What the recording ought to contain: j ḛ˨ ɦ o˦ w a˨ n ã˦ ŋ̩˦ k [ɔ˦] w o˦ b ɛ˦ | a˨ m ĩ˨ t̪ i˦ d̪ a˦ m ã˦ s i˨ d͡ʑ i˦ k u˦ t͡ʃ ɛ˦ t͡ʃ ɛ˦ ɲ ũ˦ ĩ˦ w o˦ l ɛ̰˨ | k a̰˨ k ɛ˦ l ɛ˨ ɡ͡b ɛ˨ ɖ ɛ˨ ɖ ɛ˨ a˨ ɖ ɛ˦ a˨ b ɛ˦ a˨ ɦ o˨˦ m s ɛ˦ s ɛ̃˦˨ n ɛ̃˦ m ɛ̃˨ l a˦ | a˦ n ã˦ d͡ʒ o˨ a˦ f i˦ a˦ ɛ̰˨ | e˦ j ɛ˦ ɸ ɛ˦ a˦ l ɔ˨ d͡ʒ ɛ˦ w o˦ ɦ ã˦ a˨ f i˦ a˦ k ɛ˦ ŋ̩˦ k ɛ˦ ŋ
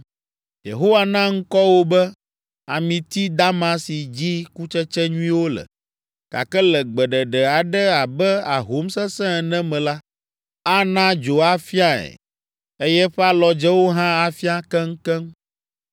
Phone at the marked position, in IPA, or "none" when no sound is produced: ɔ˦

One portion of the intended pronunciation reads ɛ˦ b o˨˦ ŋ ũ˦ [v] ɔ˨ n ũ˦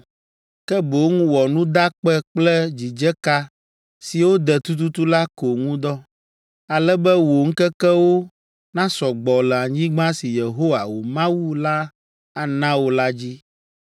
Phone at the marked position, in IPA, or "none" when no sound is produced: w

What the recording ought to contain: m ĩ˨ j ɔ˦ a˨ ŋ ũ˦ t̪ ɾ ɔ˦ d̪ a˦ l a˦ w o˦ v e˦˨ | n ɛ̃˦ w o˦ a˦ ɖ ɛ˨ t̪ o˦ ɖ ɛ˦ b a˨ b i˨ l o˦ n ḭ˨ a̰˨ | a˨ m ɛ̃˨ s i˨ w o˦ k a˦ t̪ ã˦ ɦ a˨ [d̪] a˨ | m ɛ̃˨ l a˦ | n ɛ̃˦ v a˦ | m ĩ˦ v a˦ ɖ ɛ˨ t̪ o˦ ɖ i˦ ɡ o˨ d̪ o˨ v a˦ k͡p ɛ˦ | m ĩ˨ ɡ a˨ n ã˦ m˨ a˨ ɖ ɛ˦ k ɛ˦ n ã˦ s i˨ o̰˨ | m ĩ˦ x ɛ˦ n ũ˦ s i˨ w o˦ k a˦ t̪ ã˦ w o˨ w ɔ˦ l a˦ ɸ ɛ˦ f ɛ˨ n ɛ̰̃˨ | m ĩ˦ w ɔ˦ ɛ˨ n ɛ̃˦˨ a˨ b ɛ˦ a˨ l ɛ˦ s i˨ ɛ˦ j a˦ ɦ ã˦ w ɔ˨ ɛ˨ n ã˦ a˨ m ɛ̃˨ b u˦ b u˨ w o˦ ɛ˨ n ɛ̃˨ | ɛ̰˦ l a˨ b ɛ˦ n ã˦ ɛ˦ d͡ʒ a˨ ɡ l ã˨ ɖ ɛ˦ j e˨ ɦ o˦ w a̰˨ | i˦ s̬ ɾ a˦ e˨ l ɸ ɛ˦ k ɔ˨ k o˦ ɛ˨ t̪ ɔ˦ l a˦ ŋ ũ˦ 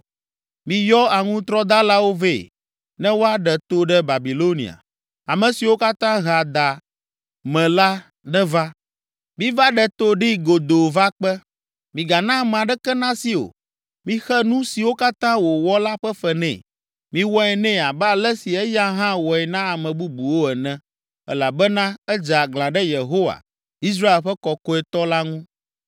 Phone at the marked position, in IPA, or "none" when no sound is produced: d̪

